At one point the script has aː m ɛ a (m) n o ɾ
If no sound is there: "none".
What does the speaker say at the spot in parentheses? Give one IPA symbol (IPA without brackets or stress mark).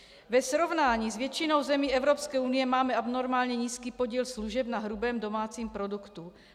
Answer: b